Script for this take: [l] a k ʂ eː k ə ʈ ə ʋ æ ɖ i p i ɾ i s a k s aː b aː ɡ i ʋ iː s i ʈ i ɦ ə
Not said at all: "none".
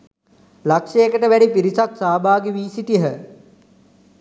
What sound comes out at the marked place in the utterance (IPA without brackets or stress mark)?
l